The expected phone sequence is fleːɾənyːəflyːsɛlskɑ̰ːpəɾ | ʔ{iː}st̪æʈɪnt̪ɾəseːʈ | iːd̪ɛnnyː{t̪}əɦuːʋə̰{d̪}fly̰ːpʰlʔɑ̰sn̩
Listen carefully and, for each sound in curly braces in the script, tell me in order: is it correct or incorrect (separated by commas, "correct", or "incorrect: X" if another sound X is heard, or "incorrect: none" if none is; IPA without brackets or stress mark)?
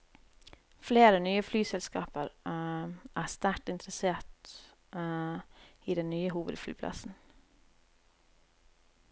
incorrect: æː, incorrect: none, correct